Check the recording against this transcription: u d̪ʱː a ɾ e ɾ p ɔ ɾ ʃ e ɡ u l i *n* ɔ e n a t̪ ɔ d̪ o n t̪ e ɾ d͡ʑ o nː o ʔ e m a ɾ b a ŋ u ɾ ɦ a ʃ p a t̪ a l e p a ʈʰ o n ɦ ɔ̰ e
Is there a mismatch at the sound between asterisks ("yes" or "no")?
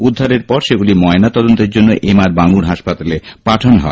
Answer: yes